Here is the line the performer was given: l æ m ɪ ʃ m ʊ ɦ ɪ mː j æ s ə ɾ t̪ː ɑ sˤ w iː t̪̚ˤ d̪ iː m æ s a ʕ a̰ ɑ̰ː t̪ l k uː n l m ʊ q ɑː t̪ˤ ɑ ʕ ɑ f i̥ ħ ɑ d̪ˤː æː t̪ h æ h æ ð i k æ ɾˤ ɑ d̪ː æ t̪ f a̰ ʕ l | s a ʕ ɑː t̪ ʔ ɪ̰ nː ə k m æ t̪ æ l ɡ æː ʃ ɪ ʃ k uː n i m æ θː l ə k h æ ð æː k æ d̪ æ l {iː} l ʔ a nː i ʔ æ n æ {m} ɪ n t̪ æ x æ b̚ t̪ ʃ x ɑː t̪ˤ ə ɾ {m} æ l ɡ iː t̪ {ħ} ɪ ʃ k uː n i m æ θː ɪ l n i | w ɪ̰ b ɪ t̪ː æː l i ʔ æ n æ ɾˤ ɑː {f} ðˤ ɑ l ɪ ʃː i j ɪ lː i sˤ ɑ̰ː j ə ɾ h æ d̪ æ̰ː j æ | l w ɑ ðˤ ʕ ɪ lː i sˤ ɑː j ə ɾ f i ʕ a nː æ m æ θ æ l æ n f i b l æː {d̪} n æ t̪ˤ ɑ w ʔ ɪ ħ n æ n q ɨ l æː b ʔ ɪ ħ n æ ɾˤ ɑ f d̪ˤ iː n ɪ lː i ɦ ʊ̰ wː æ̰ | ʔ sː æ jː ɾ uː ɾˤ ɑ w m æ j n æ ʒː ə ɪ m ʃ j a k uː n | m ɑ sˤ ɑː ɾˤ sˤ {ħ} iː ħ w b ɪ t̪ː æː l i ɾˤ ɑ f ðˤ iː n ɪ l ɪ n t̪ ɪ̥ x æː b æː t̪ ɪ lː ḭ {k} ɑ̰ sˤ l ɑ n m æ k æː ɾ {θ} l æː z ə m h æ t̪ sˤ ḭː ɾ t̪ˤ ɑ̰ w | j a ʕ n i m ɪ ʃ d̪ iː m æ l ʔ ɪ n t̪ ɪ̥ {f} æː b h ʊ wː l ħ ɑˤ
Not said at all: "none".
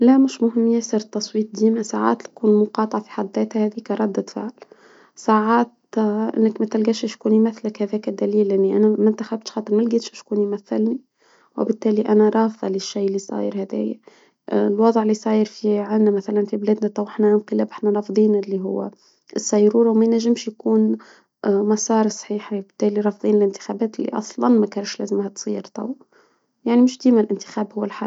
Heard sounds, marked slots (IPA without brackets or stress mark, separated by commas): iː, m, m, ʃ, f, d̪, ħ, ʔ, ʃ, x